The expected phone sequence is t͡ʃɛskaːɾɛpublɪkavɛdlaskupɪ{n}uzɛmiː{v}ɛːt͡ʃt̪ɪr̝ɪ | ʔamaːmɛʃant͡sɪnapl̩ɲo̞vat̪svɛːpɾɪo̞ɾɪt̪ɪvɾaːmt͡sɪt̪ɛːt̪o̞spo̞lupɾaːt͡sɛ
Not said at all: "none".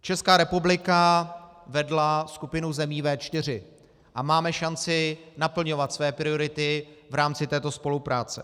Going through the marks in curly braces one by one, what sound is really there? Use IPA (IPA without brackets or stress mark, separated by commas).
n, v